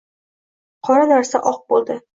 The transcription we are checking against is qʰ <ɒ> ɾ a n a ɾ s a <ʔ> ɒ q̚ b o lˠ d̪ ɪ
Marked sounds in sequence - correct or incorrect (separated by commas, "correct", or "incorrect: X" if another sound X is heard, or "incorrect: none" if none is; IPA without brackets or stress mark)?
correct, correct